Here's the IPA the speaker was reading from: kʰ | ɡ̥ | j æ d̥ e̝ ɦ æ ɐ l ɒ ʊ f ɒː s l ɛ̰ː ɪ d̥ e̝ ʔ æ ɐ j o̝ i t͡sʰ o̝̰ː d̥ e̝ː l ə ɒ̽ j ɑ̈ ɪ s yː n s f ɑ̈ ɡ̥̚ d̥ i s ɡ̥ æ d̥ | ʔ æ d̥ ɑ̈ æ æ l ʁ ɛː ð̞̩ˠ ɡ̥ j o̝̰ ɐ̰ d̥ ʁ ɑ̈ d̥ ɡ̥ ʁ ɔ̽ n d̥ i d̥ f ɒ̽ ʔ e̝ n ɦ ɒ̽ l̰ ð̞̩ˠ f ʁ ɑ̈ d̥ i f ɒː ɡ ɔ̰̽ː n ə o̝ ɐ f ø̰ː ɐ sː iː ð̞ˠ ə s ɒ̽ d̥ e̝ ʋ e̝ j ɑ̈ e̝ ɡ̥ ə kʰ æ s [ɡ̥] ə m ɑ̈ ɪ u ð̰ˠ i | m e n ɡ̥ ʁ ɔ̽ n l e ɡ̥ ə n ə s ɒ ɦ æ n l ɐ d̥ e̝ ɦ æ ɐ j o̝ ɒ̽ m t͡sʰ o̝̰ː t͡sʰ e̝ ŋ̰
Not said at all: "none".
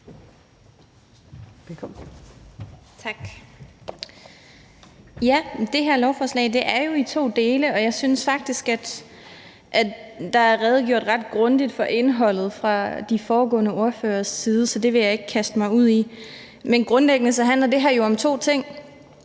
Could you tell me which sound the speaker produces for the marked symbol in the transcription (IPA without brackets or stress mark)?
d̥